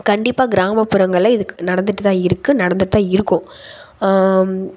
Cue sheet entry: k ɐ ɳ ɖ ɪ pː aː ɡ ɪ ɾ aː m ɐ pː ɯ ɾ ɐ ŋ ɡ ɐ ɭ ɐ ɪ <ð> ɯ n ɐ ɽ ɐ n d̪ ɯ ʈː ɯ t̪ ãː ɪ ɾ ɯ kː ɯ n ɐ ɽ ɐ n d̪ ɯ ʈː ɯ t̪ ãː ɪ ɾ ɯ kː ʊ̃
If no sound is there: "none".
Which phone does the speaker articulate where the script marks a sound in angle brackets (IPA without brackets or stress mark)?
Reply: ð